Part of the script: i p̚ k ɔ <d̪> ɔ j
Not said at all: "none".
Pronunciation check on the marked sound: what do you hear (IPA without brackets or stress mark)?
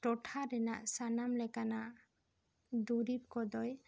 d̪